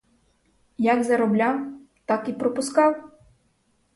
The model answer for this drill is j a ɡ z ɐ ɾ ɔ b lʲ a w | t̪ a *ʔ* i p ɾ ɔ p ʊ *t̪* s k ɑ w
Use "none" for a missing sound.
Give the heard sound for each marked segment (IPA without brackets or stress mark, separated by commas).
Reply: k, none